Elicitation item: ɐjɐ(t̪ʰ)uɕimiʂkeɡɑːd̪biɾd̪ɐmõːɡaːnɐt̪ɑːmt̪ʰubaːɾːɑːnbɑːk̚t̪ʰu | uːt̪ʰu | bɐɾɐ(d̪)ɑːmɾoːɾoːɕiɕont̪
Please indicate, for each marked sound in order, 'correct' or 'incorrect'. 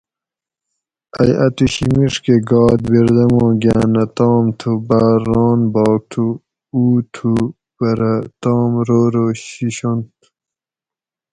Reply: incorrect, incorrect

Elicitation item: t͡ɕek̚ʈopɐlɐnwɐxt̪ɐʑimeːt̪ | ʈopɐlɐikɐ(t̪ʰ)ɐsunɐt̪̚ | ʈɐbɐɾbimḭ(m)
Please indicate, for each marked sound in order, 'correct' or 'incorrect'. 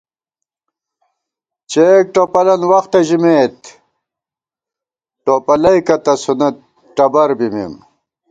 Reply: incorrect, correct

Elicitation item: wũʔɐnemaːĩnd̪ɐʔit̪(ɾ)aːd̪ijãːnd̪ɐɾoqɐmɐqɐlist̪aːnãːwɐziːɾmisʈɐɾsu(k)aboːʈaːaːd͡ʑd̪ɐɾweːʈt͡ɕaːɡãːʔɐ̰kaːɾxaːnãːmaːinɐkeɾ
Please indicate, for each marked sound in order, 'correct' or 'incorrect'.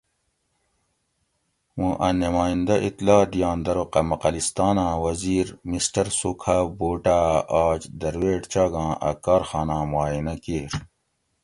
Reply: incorrect, incorrect

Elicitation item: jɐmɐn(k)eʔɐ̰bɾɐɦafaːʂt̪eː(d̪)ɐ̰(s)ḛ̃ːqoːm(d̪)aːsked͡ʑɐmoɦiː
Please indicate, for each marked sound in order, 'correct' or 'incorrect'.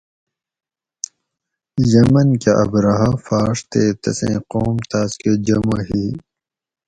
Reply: correct, incorrect, correct, incorrect

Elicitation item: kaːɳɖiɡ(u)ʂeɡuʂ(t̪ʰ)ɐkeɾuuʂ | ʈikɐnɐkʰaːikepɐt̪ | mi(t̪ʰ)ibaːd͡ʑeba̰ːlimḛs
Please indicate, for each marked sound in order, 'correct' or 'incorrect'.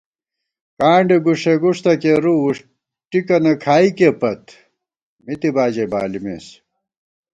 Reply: correct, incorrect, incorrect

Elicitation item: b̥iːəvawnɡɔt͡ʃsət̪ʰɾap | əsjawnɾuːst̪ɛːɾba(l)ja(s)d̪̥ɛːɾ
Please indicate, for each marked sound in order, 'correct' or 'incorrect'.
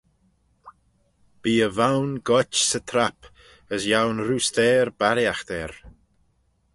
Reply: incorrect, incorrect

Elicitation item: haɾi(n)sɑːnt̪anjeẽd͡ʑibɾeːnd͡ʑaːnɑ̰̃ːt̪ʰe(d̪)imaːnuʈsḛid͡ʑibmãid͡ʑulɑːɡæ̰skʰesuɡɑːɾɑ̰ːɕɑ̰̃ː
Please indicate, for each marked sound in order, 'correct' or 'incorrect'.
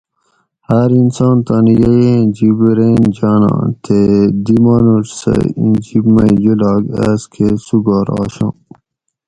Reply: correct, correct

